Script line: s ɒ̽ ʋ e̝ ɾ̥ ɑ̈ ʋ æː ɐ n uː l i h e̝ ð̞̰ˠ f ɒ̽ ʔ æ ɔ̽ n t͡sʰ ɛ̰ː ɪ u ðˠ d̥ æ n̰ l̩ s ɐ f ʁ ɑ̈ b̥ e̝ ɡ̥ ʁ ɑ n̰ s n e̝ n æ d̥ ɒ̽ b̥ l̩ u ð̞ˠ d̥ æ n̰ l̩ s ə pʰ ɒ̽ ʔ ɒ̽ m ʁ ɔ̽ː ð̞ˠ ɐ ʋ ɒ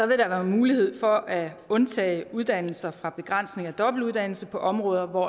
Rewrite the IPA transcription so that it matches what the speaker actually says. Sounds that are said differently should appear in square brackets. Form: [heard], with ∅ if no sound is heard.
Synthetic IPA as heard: s ɒ̽ ʋ e̝ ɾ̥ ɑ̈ ʋ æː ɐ [m] uː l i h e̝ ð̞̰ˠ f ɒ̽ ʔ æ ɔ̽ n t͡sʰ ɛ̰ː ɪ u ðˠ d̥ æ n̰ l̩ s ɐ f ʁ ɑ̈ b̥ e̝ ɡ̥ ʁ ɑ n̰ s n e̝ [ŋ] æ d̥ ɒ̽ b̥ l̩ u ð̞ˠ d̥ æ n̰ l̩ s ə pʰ ɒ̽ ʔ ɒ̽ m ʁ ɔ̽ː ð̞ˠ ɐ ʋ ɒ